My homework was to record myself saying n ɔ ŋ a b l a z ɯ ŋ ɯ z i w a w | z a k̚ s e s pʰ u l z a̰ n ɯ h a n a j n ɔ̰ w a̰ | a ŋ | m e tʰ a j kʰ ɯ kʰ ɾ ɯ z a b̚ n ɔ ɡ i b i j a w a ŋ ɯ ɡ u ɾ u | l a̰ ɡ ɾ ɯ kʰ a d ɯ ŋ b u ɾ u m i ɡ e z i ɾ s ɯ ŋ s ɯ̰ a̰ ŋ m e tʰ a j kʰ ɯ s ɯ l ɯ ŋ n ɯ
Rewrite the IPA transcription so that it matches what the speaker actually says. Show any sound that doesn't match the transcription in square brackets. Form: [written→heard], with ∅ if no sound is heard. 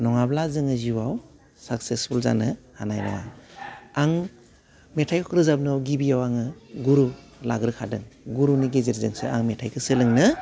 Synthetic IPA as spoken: n ɔ ŋ a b l a z ɯ ŋ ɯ z i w a w | [z→s] a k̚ s e s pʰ u l z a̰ n ɯ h a n a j n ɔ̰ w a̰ | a ŋ | m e tʰ a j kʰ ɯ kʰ ɾ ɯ z a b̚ n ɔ ɡ i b i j a w a ŋ ɯ ɡ u ɾ u | l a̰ ɡ ɾ ɯ kʰ a d ɯ ŋ [b→ɡ] u ɾ u [m→n] i ɡ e z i ɾ [s→z] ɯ ŋ s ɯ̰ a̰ ŋ m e tʰ a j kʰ ɯ s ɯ l ɯ ŋ n ɯ

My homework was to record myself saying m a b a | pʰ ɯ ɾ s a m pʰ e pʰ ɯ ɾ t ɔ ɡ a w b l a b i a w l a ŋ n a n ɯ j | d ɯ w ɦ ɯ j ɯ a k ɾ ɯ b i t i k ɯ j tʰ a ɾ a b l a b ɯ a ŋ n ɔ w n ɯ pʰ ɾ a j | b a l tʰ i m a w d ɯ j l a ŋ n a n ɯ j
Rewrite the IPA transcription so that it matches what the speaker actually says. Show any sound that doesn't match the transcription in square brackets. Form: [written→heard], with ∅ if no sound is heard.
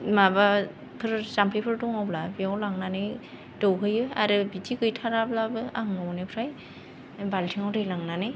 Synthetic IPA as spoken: m a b a | pʰ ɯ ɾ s a m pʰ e pʰ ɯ ɾ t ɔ [ɡ→ŋ] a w b l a b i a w l a ŋ n a n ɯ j | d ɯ w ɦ ɯ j ɯ a [k→∅] ɾ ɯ b i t i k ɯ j tʰ a ɾ a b l a b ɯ a ŋ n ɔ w n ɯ pʰ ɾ a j | b a l tʰ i [m→ŋ] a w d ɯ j l a ŋ n a n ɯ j

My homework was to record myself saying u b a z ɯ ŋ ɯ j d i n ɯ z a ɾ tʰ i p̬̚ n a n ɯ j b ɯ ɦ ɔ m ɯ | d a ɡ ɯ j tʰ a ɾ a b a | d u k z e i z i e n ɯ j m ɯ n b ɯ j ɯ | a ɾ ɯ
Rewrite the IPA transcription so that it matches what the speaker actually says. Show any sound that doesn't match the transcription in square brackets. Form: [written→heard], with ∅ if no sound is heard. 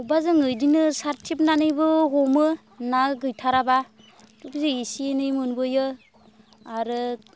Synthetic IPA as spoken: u b a z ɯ ŋ ɯ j d i n ɯ [z→s] a ɾ tʰ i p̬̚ n a n ɯ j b ɯ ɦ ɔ m ɯ | [d→n] a ɡ ɯ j tʰ a ɾ a b a | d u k z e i [z→s] i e n ɯ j m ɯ n b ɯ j ɯ | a ɾ ɯ

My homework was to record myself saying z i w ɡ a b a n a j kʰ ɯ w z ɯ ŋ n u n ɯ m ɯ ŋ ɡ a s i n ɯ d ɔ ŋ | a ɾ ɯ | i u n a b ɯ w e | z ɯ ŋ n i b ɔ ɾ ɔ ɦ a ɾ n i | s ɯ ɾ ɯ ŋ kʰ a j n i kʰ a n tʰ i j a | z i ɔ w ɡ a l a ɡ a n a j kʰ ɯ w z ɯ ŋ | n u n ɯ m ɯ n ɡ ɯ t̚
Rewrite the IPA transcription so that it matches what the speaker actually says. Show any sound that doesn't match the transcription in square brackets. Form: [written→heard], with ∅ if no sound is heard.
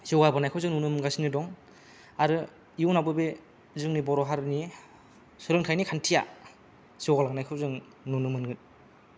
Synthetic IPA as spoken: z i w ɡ a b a n a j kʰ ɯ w z ɯ ŋ n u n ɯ m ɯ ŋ ɡ a s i n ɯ d ɔ ŋ | a ɾ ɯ | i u n a b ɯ [w→b] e | z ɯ ŋ n i b ɔ ɾ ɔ ɦ a ɾ n i | s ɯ ɾ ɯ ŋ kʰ a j n i kʰ a n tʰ i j a | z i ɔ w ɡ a l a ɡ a n a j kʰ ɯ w z ɯ ŋ | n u n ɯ m ɯ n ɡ ɯ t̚

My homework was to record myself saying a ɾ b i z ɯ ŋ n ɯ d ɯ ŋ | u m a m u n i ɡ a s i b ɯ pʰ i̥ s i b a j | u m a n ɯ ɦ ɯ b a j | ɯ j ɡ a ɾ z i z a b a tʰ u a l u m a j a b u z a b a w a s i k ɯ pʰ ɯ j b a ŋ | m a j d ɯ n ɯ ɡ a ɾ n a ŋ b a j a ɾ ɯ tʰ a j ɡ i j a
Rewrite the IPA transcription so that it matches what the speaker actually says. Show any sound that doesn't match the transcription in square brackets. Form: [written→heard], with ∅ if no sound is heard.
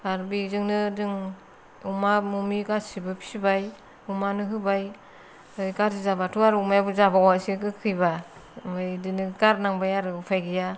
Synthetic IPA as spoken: a ɾ b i z ɯ ŋ n ɯ d ɯ ŋ | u m a m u [n→m] i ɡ a s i b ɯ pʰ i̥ s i b a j | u m a n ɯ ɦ ɯ b a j | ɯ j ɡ a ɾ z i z a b a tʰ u a [l→ɾ] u m a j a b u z a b a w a s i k ɯ [pʰ→kʰ] ɯ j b a [ŋ→∅] | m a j d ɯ n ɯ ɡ a ɾ n a ŋ b a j a ɾ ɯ [tʰ→pʰ] a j ɡ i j a

